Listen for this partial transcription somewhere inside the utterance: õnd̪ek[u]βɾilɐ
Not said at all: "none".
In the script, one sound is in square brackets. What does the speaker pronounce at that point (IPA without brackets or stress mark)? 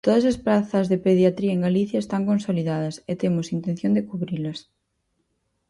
u